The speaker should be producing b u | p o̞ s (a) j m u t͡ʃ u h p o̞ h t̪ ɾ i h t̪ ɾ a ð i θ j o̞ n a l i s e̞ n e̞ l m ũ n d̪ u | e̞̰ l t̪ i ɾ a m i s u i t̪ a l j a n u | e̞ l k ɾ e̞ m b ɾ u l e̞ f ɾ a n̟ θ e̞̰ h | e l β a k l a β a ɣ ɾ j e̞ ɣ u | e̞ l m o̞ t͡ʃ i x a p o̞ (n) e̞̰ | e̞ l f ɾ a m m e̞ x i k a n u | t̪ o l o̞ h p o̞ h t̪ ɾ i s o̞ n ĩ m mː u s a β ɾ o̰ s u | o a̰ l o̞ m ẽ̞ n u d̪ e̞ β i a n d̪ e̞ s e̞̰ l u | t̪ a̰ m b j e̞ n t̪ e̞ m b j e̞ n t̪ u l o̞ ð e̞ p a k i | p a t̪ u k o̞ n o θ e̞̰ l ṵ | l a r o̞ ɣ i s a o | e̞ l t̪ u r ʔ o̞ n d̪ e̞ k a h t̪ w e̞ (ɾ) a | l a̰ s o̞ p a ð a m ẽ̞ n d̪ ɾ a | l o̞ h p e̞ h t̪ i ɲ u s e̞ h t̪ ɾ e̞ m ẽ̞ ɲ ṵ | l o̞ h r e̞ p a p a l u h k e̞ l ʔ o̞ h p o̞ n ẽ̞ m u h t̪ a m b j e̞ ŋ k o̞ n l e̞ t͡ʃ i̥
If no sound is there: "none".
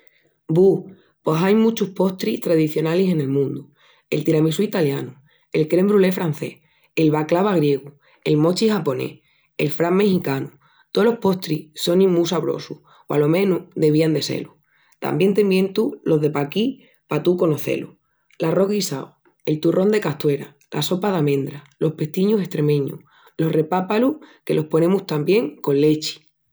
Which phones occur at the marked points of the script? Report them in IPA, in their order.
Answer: a, n, ɾ

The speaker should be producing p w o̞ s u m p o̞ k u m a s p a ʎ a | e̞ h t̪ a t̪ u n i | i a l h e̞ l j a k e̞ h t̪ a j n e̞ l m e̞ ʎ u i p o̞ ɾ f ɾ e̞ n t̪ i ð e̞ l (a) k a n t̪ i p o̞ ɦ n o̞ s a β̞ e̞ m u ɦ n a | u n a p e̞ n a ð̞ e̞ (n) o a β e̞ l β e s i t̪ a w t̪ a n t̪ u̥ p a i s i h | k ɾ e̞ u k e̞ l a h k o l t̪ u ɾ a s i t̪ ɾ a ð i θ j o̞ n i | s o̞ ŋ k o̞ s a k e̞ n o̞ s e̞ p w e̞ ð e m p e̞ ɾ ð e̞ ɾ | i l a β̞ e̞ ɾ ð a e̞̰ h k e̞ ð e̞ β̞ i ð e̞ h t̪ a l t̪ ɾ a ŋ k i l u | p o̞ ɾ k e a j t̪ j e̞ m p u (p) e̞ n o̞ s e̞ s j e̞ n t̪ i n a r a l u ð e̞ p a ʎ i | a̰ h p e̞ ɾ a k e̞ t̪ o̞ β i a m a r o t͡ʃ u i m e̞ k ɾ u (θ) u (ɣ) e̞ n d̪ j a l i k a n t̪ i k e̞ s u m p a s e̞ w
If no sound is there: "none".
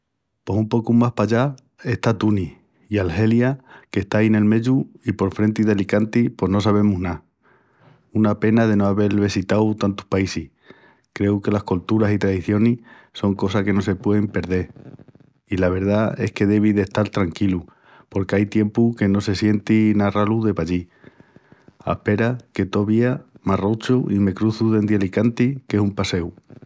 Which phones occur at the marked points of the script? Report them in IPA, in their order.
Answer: i, n, k, θ, ð

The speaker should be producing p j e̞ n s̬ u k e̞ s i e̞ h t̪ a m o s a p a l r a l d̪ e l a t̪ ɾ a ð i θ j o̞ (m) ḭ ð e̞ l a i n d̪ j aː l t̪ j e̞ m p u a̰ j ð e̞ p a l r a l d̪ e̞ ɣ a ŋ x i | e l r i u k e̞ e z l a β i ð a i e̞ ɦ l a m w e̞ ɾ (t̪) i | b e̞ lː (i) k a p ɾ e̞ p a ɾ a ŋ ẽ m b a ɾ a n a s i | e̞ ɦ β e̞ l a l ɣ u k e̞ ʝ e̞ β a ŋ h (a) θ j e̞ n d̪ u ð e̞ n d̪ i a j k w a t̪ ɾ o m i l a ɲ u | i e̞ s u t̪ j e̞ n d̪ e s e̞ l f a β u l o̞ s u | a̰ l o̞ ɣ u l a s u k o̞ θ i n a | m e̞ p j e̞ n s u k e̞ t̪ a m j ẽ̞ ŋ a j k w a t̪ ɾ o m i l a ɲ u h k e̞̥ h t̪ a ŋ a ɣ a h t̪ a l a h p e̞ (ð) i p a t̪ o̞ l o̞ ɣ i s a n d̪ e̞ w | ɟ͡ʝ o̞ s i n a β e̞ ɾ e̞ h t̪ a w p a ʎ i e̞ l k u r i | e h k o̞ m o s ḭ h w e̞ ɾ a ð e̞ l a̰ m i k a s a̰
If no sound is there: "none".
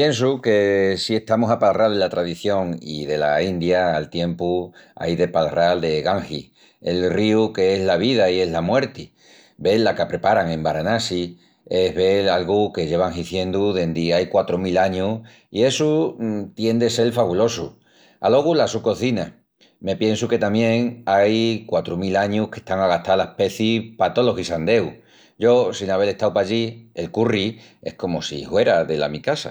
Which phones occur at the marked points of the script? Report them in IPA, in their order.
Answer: ŋ, t̪, a, i, θ

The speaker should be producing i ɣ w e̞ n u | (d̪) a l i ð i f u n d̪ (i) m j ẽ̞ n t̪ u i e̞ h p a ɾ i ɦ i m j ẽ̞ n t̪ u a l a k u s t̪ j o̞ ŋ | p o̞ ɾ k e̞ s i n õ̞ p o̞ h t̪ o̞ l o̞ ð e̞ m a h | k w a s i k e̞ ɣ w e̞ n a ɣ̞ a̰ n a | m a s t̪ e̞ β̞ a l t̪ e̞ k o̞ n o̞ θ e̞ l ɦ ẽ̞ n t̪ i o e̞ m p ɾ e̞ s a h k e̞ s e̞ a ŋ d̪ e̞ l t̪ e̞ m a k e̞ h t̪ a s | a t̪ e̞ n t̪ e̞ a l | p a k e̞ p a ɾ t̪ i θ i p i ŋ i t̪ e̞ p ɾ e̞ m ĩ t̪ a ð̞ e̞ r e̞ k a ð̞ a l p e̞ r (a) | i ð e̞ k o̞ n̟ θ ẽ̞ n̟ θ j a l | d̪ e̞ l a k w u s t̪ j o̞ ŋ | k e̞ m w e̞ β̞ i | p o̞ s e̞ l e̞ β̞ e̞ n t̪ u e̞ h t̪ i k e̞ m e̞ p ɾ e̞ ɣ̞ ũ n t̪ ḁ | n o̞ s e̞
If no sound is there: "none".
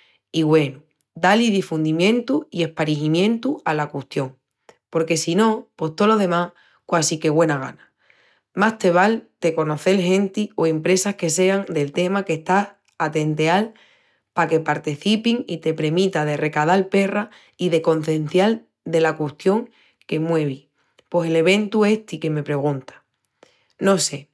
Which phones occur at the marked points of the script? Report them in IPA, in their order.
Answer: d̪, i, a

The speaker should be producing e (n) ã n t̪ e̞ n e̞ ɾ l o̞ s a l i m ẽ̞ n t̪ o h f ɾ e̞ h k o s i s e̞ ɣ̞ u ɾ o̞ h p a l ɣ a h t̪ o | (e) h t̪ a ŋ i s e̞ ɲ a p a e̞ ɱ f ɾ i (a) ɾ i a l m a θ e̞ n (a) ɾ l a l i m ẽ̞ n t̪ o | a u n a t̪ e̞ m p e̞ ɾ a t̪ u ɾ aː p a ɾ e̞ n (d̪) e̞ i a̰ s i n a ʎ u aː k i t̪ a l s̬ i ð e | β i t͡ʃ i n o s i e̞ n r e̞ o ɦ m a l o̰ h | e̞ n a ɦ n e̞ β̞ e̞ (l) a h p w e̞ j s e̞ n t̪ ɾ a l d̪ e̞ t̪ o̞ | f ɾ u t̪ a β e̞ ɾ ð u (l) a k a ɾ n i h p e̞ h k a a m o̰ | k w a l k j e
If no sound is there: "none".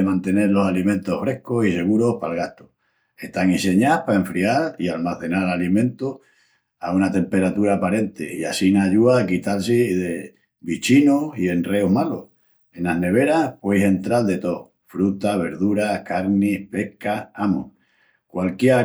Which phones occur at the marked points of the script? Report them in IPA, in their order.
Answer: m, e, a, a, t̪, ɾ, ɾ

